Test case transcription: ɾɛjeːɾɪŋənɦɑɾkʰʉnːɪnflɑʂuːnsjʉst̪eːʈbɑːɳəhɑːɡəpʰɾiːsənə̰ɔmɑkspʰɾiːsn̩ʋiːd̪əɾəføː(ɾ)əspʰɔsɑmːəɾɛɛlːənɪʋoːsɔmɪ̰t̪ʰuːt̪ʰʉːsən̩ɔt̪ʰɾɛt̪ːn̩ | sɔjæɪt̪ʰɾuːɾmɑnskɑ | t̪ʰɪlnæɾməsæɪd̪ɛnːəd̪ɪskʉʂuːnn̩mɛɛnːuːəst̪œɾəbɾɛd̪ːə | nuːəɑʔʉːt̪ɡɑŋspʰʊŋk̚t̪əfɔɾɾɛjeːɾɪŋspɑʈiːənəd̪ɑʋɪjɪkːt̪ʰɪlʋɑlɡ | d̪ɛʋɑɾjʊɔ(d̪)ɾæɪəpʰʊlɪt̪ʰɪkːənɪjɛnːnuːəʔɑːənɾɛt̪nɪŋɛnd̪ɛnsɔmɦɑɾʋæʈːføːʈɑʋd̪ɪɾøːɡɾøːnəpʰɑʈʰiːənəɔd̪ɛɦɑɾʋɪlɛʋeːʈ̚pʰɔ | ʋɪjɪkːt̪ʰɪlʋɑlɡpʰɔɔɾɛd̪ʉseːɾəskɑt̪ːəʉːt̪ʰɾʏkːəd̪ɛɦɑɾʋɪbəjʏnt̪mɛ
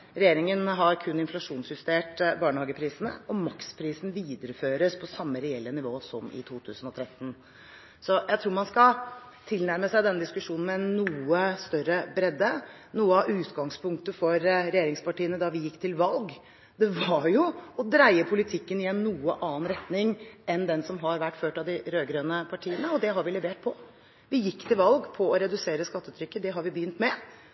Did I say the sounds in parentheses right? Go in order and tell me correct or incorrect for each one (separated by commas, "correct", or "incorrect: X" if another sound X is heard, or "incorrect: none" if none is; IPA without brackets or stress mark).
correct, correct